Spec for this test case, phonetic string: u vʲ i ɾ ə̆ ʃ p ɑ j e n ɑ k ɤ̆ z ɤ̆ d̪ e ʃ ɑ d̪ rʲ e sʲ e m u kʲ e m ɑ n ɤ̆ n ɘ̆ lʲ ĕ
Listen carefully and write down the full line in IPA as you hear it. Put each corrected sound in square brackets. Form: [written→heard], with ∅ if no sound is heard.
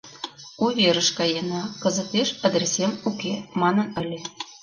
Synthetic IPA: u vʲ [i→e] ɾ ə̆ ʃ [p→k] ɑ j e n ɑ k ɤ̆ z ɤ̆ [d̪→t̪] e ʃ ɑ d̪ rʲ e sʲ e m u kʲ e m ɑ n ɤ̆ n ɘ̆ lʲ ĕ